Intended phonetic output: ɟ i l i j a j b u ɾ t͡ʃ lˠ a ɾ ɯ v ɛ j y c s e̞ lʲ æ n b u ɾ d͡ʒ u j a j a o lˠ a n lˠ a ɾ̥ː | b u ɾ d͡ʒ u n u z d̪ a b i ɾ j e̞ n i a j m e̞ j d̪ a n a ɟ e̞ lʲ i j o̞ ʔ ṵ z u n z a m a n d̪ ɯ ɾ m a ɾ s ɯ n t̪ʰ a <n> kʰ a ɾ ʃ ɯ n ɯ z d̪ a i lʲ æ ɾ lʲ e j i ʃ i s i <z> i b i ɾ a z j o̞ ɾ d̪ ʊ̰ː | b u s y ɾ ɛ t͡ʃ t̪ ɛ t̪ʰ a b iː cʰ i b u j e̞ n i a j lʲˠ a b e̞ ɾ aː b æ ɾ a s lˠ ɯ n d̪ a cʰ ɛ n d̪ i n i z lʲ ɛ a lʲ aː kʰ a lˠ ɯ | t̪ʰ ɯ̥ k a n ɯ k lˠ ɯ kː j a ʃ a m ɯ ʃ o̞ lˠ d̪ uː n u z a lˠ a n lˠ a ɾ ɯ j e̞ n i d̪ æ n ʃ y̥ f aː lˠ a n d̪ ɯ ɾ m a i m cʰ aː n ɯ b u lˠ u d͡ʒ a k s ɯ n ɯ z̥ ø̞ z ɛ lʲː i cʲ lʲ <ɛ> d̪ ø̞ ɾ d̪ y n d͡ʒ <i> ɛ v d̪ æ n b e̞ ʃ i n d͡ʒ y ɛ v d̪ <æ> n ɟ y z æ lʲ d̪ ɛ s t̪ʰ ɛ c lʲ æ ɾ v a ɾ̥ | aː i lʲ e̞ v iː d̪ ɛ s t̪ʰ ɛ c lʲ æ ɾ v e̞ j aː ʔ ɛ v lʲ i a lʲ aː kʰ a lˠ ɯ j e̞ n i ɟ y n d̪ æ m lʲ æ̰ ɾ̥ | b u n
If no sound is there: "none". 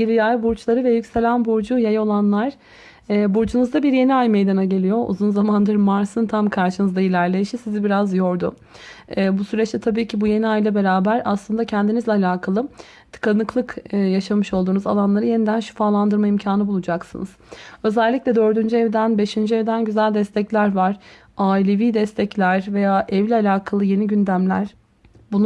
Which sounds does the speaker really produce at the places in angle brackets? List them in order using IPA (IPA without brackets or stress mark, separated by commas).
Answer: m, z, ɛ, y, æ